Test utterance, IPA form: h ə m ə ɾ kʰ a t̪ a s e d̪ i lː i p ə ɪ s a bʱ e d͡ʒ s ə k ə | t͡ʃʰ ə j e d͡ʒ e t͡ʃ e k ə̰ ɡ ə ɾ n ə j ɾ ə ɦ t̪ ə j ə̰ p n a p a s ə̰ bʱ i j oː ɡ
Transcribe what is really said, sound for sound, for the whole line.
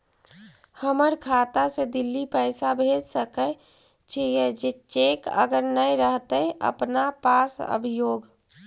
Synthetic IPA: h ə m ə ɾ kʰ a t̪ a s e d̪ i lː i p ə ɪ s a bʱ e d͡ʒ s ə k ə | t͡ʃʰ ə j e d͡ʒ e t͡ʃ e k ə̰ ɡ ə ɾ n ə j ɾ ə ɦ t̪ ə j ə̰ p n a p a s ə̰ bʱ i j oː ɡ

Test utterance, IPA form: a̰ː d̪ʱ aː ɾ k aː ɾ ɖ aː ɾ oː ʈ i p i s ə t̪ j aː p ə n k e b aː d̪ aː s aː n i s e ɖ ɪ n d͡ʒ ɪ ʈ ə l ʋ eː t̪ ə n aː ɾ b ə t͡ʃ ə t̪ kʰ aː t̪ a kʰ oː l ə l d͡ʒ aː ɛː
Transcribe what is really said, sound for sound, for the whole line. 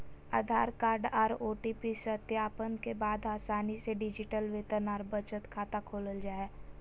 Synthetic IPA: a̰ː d̪ʱ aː ɾ k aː ɾ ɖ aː ɾ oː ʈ i p i s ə t̪ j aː p ə n k e b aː d̪ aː s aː n i s e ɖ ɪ d͡ʒ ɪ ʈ ə l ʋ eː t̪ ə n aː ɾ b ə t͡ʃ ə t̪ kʰ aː t̪ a kʰ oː l ə l d͡ʒ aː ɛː

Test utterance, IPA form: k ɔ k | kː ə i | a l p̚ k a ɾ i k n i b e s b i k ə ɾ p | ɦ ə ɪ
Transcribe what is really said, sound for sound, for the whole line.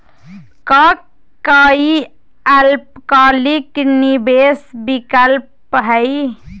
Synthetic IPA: k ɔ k | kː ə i | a l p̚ k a l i k n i b e s b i k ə l p | ɦ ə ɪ

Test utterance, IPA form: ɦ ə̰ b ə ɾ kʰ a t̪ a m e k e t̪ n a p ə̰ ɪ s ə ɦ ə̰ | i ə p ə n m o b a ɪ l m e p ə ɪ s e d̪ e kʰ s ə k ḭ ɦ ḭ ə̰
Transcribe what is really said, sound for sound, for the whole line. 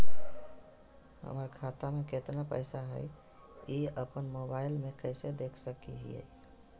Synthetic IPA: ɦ ə̰ m ə ɾ kʰ a t̪ a m e k e t̪ n a p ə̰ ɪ s a ɦ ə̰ | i ə p ə n m o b a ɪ l m e k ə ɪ s e d̪ e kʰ s ə k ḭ ɦ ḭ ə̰

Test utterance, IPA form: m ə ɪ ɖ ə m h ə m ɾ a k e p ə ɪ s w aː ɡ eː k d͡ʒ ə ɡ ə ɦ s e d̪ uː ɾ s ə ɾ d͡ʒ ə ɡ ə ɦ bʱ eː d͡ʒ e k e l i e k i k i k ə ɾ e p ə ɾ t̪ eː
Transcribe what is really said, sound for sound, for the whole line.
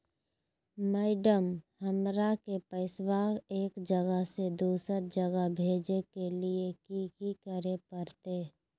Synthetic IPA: m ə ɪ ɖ ə m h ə m ɾ a k e p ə ɪ s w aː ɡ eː k d͡ʒ ə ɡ ə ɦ s e d̪ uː s ə ɾ d͡ʒ ə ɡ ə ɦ bʱ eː d͡ʒ e k e l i e k i k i k ə ɾ e p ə ɾ t̪ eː

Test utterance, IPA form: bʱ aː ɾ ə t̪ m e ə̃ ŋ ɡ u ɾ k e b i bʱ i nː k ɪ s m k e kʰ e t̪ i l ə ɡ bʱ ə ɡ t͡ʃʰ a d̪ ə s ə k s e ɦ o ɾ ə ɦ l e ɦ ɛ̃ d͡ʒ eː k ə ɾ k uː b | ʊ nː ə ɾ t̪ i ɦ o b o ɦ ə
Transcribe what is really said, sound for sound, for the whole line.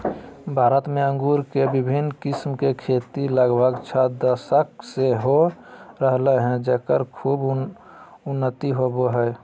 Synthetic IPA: bʱ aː ɾ ə t̪ m e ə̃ ŋ ɡ u ɾ k e b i bʱ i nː k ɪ s m k e kʰ e t̪ i l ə ɡ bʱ ə ɡ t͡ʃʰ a d̪ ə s ə k s e ɦ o ɾ ə ɦ l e ɦ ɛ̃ d͡ʒ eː k ə ɾ kʰ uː b | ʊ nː ə t̪ i ɦ o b o ɦ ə

